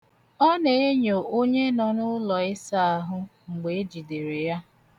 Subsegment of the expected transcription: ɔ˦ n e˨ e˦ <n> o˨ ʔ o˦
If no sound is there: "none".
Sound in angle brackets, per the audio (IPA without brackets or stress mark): ɲ